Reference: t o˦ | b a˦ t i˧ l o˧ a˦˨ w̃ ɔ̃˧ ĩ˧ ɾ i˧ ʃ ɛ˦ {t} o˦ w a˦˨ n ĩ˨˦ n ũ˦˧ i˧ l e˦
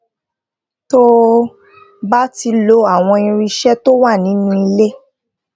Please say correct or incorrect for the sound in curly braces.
correct